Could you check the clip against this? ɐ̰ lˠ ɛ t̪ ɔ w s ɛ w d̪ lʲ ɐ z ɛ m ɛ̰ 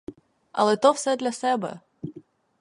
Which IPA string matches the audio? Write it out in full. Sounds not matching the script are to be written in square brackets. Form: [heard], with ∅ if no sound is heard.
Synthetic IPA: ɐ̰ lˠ ɛ t̪ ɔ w s ɛ [∅] d̪ lʲ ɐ [s] ɛ [b] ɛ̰